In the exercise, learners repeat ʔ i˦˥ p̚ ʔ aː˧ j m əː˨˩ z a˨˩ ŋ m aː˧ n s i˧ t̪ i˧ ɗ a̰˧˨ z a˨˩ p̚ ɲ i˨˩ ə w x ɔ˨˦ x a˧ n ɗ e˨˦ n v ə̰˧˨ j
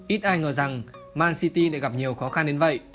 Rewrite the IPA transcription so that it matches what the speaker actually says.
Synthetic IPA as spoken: ʔ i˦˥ t̚ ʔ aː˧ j ŋ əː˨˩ z a˨˩ ŋ m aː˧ n s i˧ t̪ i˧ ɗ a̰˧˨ ɣ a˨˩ p̚ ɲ i˨˩ ə w x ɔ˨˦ x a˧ n ɗ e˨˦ n v ə̰˧˨ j